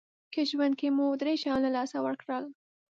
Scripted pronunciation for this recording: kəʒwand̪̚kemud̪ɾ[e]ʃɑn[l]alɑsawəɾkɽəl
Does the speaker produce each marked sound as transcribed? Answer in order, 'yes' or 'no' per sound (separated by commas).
yes, yes